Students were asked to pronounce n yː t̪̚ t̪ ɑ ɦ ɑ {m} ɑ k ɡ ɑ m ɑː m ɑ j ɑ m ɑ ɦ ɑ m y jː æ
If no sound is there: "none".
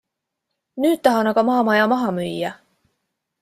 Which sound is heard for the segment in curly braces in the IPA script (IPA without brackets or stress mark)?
n